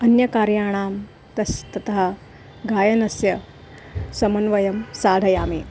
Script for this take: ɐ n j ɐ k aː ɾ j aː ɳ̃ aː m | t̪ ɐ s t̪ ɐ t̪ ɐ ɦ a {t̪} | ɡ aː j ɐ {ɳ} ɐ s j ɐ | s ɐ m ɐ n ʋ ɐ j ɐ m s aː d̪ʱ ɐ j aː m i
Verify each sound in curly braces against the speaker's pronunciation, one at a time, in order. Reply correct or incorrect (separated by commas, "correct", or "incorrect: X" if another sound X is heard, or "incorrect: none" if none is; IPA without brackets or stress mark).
incorrect: none, incorrect: n